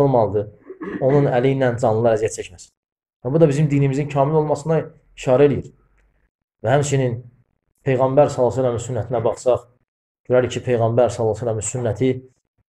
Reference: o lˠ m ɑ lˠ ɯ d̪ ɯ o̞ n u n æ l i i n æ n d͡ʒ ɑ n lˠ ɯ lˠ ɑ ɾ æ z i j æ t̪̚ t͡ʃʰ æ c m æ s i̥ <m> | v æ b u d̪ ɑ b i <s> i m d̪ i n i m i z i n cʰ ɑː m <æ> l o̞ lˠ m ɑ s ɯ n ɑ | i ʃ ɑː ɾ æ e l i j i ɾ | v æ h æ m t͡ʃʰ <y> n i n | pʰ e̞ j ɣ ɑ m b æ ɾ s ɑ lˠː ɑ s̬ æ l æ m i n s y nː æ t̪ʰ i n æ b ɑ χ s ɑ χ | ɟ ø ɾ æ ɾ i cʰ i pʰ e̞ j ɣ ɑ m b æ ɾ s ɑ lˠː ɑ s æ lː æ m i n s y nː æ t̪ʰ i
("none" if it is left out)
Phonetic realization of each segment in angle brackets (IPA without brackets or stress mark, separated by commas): n, z, i, i